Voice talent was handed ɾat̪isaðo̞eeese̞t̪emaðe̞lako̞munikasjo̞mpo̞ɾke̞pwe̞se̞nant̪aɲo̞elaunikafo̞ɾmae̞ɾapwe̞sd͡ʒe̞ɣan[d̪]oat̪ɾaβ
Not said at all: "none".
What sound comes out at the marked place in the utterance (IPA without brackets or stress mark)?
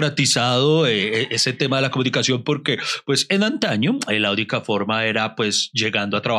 d̪